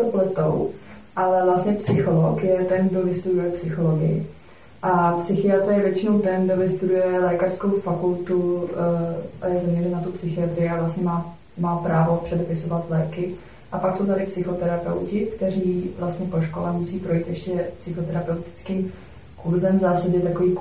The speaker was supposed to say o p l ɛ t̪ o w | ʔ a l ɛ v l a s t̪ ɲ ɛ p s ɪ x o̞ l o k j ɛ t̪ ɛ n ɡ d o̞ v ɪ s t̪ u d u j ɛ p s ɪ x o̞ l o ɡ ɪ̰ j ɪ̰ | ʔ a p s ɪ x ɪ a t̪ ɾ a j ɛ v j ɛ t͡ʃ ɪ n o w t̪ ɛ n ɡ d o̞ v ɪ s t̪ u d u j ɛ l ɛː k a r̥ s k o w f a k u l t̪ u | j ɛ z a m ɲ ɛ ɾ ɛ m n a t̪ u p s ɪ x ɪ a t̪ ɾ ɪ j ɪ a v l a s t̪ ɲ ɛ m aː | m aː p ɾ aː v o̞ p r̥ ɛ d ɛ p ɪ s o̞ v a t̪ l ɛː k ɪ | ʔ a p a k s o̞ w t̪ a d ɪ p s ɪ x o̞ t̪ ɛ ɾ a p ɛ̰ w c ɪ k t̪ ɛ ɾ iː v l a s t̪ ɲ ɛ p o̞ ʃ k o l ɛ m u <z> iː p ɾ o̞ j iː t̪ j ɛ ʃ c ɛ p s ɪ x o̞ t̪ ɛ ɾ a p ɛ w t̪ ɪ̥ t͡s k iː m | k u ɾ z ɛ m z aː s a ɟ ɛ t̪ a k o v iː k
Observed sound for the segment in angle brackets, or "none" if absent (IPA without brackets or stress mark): s